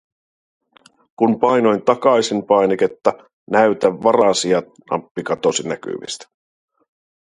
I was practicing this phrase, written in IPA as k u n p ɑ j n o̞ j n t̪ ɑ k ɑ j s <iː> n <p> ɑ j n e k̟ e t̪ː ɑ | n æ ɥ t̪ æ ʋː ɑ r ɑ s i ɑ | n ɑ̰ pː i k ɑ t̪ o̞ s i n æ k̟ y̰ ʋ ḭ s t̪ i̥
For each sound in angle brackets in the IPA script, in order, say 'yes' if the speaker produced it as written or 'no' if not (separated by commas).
no, yes